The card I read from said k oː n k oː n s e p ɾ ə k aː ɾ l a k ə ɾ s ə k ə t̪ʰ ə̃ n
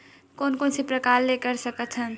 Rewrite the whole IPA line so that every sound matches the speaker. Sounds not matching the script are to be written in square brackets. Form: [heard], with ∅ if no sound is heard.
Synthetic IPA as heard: k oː n k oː n s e p ɾ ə k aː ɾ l [e] k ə ɾ s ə k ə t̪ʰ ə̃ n